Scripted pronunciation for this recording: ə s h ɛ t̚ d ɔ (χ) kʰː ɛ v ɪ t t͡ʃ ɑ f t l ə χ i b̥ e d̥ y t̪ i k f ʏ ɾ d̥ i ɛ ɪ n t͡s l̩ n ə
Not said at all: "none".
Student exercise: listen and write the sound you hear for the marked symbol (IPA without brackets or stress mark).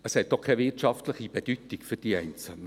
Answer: χ